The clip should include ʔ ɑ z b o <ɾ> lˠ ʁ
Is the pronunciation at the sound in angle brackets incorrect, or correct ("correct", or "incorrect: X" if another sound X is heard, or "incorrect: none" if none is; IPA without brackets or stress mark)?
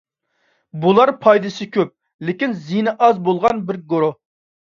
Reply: incorrect: none